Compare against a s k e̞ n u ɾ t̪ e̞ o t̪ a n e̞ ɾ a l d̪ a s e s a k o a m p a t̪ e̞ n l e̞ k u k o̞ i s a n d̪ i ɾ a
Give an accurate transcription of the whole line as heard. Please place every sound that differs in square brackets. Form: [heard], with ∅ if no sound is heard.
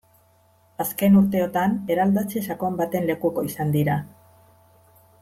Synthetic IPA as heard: a s k e̞ n u ɾ t̪ e̞ o t̪ a n e̞ ɾ a l d̪ a [t͡s] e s a k o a m [b] a t̪ e̞ n l e̞ k u k o̞ i s a n d̪ i ɾ a